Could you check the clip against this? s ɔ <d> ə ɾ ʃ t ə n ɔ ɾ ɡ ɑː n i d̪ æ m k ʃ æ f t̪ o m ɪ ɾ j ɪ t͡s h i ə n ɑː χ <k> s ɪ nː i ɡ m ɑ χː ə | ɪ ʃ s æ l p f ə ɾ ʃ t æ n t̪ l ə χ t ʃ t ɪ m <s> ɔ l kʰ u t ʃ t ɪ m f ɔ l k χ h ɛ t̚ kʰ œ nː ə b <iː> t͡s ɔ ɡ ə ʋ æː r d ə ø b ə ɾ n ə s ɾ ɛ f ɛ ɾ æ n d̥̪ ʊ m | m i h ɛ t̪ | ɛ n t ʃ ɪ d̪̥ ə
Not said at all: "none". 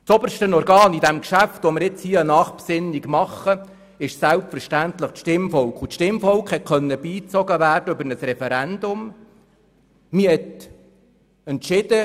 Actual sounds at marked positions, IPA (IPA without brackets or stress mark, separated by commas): b, p, f, iː